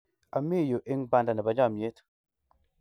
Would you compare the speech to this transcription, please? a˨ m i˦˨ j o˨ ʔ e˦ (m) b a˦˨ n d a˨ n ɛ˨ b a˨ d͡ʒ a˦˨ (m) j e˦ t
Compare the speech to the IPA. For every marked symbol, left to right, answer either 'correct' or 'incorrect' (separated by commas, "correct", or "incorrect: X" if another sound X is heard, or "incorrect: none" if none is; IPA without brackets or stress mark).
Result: incorrect: ŋ, correct